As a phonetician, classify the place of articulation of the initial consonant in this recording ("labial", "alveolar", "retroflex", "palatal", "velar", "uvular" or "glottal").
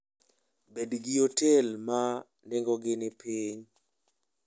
labial